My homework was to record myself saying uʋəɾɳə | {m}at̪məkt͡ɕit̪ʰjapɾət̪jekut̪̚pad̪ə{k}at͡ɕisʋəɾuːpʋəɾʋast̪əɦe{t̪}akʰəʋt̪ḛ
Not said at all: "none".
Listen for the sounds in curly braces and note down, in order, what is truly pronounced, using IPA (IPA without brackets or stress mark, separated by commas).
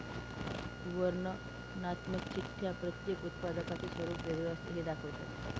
n, k, d̪